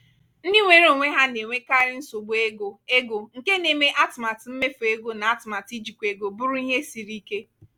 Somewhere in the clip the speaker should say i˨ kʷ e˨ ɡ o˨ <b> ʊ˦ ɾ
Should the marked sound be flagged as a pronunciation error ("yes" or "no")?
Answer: no